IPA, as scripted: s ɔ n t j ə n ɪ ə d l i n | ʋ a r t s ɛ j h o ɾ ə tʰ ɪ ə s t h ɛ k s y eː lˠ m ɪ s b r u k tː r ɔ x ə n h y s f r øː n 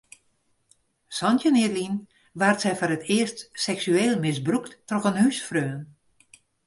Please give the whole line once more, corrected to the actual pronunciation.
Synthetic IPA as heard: s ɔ n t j ə n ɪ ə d l i n | ʋ a r t s ɛ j f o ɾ ə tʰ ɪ ə s t s ɛ k s y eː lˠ m ɪ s b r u k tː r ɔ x ə n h y s f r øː n